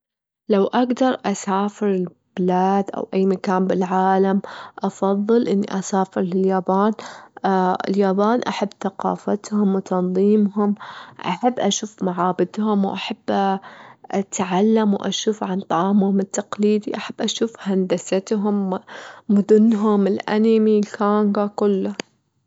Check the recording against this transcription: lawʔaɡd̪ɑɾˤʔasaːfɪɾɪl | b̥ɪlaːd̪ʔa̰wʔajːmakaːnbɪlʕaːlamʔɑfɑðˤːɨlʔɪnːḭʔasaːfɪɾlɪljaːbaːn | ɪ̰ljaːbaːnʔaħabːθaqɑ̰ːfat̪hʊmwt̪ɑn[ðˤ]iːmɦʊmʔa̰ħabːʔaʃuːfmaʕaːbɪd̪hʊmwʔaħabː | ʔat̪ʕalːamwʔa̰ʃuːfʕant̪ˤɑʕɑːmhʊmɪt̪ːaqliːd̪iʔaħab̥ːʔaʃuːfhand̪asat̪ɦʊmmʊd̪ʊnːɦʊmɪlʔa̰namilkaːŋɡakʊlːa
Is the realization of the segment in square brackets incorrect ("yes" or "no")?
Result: no